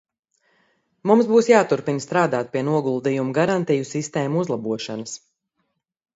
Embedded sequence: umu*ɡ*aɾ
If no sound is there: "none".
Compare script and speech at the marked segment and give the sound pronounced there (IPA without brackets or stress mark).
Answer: ɡ